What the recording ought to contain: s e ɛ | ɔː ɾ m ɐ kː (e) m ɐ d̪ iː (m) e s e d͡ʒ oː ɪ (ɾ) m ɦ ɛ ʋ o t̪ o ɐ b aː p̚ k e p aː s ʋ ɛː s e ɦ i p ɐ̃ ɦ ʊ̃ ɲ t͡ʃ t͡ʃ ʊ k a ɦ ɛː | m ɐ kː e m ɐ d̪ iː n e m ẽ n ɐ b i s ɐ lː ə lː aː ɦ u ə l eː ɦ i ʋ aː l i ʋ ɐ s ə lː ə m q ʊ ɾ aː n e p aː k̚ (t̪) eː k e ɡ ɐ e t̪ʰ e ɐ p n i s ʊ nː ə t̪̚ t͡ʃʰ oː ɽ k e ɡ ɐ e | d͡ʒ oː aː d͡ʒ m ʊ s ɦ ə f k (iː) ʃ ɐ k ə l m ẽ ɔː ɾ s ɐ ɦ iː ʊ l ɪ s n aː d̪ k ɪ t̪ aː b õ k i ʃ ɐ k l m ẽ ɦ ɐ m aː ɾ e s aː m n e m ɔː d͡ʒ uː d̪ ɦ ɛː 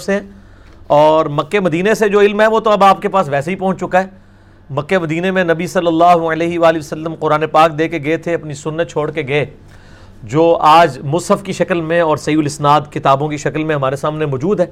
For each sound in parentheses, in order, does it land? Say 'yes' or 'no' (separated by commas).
yes, no, no, no, no